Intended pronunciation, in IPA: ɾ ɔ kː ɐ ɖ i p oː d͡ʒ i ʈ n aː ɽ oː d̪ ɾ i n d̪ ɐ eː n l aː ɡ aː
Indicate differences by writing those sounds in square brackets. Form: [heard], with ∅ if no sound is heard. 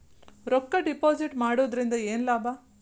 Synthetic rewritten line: ɾ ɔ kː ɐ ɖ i p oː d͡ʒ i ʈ [m] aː ɽ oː d̪ ɾ i n d̪ ɐ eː n l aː [b] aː